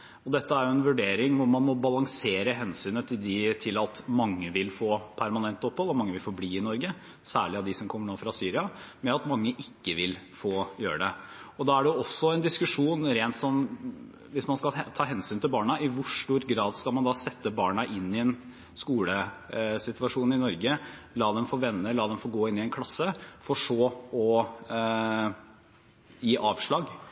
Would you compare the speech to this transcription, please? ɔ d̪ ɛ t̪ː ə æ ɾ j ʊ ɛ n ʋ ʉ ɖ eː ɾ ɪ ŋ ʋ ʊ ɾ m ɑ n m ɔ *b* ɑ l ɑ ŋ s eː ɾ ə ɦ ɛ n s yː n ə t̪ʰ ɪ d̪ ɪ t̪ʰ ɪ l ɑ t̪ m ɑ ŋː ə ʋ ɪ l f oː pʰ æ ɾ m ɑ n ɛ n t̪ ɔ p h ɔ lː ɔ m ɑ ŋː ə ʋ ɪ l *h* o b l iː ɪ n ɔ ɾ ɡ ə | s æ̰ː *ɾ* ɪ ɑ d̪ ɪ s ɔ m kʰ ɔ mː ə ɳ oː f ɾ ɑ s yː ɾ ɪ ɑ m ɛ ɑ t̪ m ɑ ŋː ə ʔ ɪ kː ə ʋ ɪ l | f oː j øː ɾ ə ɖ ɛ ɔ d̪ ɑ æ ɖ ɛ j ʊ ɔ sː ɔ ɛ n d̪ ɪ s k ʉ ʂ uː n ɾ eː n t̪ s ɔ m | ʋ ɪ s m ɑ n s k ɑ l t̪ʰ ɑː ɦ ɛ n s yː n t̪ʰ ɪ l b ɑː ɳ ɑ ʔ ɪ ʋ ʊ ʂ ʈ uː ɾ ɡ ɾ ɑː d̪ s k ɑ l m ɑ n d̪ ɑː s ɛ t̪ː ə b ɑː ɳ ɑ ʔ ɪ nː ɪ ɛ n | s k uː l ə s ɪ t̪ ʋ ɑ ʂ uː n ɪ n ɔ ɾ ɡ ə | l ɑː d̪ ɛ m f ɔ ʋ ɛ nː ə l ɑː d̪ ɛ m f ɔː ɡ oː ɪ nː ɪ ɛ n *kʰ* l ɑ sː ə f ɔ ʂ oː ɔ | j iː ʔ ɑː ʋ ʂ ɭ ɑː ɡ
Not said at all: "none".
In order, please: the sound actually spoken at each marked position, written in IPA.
b, f, ɭ, kʰ

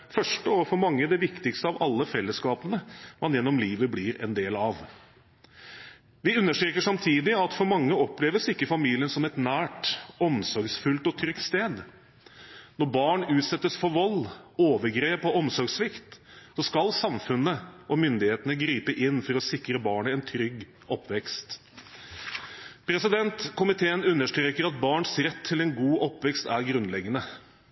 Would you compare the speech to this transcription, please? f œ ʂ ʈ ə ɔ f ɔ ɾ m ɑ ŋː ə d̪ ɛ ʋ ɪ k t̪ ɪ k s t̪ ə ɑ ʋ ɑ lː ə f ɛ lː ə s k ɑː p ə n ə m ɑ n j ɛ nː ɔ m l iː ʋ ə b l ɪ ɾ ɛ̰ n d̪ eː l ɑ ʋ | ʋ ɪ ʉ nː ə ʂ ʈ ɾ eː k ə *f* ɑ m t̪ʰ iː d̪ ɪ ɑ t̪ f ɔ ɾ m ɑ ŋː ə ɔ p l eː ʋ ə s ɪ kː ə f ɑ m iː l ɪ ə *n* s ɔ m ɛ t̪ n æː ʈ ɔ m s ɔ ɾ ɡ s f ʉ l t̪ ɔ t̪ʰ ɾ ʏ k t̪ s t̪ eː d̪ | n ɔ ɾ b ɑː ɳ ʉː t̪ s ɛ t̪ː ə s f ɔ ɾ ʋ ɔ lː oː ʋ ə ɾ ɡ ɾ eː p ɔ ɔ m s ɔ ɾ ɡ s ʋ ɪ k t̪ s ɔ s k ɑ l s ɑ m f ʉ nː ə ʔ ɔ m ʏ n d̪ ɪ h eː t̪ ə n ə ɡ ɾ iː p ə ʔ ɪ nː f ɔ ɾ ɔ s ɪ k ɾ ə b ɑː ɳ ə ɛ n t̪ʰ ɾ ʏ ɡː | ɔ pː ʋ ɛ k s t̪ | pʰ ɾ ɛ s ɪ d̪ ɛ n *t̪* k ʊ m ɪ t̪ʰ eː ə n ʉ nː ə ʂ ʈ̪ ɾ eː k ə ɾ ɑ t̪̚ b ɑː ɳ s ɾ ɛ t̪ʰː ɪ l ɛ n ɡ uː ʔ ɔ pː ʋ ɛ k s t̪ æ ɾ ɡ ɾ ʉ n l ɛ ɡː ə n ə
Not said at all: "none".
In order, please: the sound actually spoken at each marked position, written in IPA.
ʂ, n, t̪

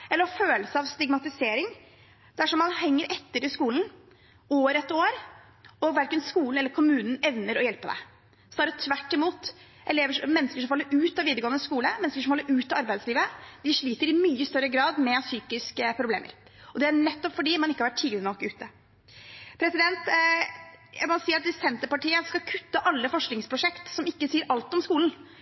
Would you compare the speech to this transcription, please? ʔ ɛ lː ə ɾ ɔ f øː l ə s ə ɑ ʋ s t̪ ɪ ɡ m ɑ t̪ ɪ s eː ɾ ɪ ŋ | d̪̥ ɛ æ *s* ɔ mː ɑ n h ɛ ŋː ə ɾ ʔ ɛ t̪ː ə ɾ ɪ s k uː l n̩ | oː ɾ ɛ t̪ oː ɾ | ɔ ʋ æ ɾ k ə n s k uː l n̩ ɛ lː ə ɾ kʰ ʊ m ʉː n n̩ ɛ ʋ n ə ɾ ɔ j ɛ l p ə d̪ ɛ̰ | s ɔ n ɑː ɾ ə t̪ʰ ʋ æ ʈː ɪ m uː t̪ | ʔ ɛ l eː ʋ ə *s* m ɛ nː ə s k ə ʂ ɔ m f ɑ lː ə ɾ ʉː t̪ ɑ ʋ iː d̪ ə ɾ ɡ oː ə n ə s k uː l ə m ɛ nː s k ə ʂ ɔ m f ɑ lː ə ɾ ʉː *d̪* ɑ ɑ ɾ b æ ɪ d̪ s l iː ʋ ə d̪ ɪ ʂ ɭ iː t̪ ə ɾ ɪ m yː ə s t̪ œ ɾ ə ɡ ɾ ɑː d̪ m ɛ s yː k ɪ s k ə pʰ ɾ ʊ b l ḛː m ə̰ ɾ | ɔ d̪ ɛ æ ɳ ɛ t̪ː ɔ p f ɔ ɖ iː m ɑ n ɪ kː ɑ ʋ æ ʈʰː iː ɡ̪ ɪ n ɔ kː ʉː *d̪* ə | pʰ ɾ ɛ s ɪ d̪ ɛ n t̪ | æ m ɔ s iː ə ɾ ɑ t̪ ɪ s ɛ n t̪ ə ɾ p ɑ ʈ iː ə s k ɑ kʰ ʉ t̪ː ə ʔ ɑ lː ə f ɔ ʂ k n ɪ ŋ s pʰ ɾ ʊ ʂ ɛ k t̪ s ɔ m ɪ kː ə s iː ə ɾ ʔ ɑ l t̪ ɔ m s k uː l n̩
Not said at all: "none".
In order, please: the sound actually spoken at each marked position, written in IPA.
ʂ, ʂ, t̪, t̪

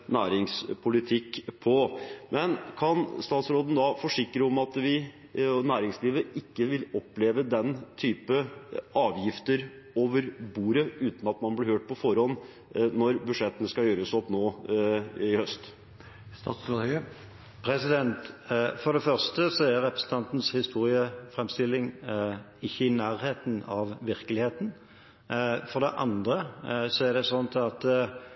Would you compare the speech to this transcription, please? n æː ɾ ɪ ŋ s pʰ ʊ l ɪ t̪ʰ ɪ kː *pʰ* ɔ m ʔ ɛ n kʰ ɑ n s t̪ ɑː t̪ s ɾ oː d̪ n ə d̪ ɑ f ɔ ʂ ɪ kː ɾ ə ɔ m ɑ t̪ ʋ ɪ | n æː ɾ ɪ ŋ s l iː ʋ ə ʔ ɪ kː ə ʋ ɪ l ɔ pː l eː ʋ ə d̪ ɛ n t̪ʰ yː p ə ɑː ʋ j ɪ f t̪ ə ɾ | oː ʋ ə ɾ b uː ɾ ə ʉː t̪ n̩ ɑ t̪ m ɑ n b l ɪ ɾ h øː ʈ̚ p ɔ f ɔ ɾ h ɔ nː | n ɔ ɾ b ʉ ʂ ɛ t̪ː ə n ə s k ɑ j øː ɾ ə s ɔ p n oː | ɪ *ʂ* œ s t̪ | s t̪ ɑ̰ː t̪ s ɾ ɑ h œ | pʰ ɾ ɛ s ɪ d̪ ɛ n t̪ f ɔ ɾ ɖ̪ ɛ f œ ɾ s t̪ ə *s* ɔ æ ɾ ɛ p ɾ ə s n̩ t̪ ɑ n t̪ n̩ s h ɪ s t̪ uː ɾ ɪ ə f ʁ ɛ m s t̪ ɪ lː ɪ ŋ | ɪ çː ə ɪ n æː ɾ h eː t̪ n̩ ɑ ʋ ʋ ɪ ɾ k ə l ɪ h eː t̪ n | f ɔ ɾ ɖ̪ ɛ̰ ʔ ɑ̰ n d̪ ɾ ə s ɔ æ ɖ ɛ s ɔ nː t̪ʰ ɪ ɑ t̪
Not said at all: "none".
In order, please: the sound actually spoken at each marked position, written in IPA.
pʰ, h, s

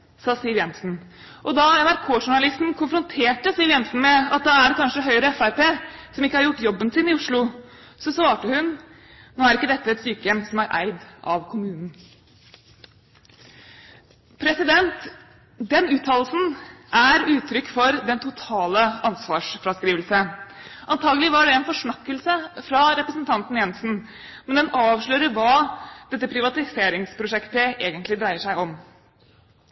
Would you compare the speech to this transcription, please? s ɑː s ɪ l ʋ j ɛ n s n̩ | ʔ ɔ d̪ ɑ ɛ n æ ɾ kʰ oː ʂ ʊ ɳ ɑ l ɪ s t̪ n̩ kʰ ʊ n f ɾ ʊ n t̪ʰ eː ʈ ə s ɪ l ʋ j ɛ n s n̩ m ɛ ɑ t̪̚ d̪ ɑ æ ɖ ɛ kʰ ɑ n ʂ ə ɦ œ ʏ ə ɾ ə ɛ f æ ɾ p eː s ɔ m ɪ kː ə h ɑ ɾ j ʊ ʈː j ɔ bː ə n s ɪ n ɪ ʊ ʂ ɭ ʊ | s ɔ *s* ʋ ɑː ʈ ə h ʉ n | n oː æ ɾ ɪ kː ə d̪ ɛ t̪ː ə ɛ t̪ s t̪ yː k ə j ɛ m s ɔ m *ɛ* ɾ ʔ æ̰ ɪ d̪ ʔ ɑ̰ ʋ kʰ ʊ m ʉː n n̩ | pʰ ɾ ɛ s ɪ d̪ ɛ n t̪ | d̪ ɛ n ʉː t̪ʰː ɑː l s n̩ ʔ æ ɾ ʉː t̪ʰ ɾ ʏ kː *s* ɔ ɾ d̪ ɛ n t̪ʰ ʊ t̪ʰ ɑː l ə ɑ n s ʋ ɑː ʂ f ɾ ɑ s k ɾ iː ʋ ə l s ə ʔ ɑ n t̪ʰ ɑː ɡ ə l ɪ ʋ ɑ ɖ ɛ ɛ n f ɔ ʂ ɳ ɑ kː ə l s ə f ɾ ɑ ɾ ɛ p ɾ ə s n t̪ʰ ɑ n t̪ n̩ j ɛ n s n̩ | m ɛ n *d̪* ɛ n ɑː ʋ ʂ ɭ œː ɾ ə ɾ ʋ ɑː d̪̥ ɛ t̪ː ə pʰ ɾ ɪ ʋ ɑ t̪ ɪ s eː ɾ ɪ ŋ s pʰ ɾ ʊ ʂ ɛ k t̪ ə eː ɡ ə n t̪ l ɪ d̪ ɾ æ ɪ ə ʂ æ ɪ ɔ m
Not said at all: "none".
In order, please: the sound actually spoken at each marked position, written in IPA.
s, æ, f, d̪

